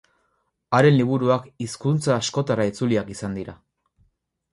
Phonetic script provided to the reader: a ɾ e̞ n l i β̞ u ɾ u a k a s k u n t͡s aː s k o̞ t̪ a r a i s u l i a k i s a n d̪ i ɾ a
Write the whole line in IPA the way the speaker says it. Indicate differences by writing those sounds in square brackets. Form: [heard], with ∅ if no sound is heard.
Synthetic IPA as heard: a ɾ e̞ n l i β̞ u ɾ u a k [i] s k u n t͡s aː s k o̞ t̪ a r a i [t͡s] u l i a k i s a n d̪ i ɾ a